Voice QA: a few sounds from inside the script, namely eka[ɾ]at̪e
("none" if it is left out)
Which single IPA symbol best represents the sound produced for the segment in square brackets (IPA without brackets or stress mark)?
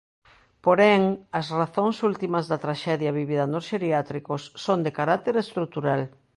ɾ